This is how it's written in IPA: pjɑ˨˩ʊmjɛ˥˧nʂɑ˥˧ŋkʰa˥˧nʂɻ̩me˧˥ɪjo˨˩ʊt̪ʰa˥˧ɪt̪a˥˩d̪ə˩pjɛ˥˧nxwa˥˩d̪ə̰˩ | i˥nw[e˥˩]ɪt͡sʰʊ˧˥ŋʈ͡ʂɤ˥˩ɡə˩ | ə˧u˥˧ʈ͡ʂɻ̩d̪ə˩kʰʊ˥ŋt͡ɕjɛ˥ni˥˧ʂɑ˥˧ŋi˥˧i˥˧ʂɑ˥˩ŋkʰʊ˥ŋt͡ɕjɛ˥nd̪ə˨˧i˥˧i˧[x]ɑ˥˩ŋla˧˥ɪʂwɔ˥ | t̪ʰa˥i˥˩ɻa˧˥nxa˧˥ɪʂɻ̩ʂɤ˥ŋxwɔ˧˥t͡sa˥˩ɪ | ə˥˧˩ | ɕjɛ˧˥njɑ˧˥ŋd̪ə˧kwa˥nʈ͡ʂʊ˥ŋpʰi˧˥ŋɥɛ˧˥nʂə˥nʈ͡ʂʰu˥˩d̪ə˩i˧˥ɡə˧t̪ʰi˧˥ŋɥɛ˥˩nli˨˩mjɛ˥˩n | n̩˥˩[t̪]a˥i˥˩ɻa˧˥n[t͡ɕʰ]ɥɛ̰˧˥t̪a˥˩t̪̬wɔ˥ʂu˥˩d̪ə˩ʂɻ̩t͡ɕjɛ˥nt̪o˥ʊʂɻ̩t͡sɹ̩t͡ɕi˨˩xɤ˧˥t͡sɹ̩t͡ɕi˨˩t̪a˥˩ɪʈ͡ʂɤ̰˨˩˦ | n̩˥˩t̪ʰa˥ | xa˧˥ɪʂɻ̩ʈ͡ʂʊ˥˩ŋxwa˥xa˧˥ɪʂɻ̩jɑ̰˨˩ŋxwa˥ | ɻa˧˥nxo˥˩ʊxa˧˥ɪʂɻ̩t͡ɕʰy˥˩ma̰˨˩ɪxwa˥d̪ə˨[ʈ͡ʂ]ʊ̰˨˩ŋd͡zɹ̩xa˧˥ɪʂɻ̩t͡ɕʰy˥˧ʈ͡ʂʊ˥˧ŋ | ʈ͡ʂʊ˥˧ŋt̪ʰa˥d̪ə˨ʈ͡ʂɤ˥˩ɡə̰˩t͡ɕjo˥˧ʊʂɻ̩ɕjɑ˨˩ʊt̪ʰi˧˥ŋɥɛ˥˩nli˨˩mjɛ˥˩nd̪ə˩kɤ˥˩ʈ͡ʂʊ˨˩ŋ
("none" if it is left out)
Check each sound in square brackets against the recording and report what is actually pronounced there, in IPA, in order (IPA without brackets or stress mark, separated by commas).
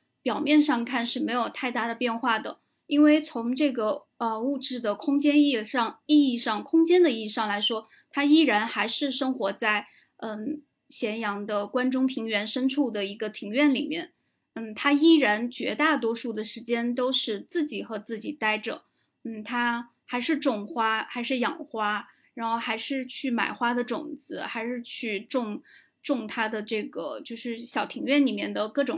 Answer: e˥˩, ʂ, t̪ʰ, t͡ɕ, ʈ͡ʂ